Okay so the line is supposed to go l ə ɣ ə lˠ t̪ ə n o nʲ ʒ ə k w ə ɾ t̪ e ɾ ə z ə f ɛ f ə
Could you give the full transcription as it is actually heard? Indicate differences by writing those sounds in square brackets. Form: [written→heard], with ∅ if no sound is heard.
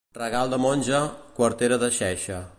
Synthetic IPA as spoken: [l→r] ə ɣ [ə→a] lˠ [t̪→d̪] ə [n→m] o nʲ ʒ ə k w ə ɾ t̪ e ɾ ə [z→ð] ə [f→ʃ] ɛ [f→ʃ] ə